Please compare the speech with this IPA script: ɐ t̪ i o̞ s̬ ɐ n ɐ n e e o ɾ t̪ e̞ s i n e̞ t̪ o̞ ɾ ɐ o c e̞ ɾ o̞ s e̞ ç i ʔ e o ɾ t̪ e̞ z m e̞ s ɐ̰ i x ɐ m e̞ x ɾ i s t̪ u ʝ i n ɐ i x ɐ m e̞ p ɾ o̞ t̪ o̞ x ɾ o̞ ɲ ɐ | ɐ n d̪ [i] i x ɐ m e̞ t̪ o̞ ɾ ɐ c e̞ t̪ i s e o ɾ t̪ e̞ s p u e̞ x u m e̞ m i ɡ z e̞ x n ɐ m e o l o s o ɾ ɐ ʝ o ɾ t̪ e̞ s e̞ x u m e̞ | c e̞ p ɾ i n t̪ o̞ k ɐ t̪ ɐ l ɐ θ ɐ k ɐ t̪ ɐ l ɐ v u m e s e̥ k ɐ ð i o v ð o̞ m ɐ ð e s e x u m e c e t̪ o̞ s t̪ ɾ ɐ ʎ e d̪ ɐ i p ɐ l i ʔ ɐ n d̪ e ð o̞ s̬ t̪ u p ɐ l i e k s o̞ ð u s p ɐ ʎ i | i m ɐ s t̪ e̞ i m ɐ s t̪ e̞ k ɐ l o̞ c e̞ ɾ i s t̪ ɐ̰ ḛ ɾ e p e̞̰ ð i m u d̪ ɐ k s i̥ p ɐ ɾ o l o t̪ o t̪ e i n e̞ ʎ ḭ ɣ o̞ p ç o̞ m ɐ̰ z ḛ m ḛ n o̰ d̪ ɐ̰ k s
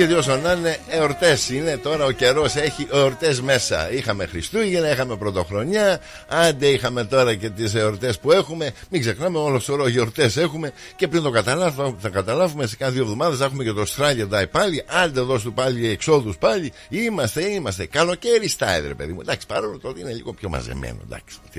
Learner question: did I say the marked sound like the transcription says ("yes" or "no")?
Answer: no